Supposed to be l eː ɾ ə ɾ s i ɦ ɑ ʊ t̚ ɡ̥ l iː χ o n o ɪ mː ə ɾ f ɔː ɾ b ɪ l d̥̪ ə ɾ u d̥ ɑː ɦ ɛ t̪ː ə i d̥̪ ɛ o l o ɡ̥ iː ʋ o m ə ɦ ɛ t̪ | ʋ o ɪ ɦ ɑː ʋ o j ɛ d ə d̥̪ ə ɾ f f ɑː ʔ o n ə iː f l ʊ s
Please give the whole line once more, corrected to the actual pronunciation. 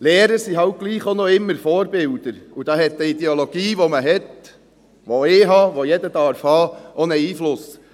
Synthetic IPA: l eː ɾ ə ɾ s i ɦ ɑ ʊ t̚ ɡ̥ l iː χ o n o ɪ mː ə ɾ f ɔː ɾ b ɪ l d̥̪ ə ɾ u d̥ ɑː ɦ ɛ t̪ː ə i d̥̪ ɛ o l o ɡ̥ iː ʋ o m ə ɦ ɛ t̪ | ʋ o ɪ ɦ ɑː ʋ o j ɛ d ə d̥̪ ɑ ɾ f h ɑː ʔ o n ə iː f l ʊ s